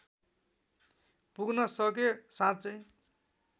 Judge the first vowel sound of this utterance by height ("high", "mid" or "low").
high